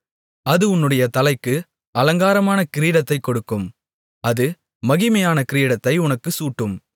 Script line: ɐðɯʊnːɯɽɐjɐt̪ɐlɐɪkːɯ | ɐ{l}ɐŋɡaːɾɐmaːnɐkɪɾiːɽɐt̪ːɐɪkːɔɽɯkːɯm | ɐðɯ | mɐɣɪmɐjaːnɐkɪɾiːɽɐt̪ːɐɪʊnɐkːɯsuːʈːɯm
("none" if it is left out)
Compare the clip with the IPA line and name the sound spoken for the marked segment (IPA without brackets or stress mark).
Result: l